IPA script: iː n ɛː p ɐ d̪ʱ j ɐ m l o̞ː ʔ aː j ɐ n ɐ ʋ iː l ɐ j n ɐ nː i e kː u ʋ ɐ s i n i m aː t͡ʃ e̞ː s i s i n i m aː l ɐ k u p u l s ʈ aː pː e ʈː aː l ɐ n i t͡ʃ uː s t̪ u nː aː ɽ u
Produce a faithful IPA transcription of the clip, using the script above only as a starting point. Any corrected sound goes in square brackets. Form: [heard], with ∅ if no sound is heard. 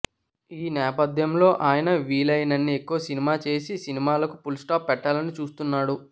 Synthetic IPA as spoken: iː n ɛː p ɐ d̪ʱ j ɐ m l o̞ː ʔ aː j ɐ n ɐ ʋ iː l ɐ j n ɐ nː i e kː u ʋ ɐ s i n i m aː t͡ʃ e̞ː s i s i n i m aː l ɐ k u p u l s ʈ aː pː [ɛ] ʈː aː l ɐ n i t͡ʃ uː s t̪ u nː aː ɽ u